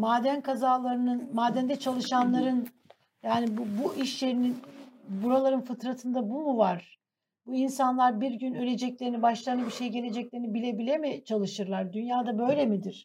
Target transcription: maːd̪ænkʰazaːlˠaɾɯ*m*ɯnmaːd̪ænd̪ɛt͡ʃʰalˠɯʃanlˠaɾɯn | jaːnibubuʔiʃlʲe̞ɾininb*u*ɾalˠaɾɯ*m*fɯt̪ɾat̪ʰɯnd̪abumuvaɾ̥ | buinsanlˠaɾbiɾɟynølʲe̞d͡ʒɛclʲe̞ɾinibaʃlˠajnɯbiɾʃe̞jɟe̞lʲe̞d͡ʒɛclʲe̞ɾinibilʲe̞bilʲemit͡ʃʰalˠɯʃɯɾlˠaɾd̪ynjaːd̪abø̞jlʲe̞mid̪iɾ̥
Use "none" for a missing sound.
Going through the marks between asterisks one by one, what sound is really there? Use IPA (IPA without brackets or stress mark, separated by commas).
n, u, n